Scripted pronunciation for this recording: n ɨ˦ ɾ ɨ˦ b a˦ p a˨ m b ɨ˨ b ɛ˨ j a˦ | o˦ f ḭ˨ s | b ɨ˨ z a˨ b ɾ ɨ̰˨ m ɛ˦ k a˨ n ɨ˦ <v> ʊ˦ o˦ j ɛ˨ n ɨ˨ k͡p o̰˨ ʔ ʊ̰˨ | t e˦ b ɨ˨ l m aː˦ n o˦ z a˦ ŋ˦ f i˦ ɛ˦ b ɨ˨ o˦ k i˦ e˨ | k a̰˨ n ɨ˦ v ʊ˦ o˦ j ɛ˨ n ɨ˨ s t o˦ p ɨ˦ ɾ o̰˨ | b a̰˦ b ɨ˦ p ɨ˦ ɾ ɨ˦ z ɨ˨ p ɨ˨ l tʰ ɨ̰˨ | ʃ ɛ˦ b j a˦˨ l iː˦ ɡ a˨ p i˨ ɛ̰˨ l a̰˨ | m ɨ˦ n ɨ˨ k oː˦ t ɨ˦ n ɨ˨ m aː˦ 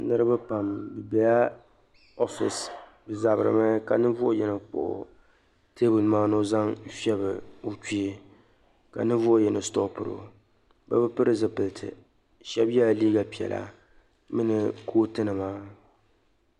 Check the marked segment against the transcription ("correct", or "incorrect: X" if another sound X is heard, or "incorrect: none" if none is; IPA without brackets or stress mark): correct